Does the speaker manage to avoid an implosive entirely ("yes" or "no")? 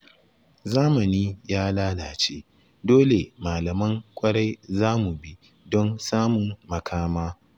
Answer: yes